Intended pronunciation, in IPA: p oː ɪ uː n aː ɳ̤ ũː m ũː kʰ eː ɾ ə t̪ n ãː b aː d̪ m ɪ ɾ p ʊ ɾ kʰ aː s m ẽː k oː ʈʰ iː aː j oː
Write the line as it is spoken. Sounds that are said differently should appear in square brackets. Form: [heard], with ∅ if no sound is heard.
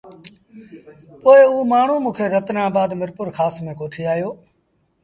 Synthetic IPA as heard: p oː ɪ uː [m] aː ɳ̤ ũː m ũː kʰ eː ɾ ə t̪ n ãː b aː d̪ m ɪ ɾ p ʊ ɾ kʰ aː s m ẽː k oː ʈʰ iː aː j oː